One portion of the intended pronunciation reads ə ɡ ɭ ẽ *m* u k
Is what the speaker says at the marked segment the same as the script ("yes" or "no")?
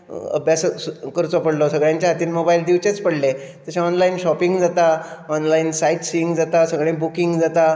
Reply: no